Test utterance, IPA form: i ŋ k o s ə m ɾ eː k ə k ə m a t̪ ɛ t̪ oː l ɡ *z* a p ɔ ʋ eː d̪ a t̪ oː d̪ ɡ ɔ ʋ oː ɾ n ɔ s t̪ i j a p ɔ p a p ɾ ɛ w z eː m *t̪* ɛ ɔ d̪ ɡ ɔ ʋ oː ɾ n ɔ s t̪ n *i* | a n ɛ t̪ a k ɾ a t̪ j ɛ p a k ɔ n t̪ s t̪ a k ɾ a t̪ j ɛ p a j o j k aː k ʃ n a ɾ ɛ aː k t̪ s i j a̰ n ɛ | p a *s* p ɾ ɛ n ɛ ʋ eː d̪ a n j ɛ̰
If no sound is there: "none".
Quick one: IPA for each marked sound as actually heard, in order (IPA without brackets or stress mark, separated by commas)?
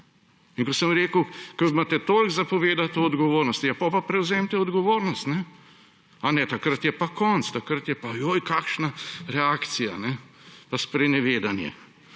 z, t̪, ɛ, s